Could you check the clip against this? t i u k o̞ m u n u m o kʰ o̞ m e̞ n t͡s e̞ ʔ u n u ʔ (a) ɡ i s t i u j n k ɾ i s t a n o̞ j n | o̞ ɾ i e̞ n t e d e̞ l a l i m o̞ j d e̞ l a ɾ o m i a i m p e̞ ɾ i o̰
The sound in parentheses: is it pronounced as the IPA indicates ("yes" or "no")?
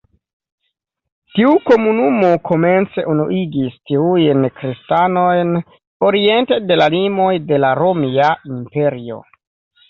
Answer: no